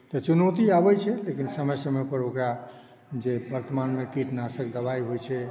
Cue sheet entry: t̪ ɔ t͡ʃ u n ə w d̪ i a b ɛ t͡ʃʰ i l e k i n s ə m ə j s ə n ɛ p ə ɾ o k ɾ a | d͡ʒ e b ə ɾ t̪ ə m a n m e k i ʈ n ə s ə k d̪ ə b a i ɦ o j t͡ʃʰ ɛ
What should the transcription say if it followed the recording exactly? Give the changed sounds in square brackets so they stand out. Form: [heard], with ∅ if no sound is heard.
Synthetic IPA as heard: t̪ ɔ t͡ʃ u n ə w [t̪] i a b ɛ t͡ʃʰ [ɛ] l e k i n s ə m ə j s ə [m] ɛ p ə ɾ o k ɾ a | d͡ʒ e b ə ɾ t̪ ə m a n m e k i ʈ n [a] s ə k d̪ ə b a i ɦ o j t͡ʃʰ ɛ